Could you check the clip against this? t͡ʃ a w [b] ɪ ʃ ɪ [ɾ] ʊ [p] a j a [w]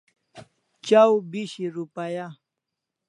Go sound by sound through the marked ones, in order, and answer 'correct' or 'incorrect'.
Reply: correct, correct, correct, incorrect: none

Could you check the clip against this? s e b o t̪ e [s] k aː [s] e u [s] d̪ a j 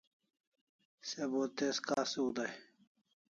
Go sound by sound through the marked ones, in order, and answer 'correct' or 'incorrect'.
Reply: correct, correct, incorrect: none

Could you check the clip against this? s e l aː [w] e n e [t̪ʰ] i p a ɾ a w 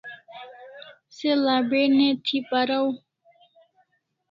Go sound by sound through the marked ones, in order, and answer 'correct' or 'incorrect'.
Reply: incorrect: b, correct

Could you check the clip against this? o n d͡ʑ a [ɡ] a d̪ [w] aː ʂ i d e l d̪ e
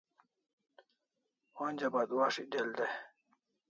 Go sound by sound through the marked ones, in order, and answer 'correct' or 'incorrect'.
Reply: incorrect: b, correct

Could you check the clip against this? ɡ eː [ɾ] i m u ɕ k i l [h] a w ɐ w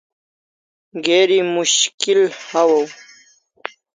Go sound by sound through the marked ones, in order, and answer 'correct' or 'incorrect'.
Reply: correct, correct

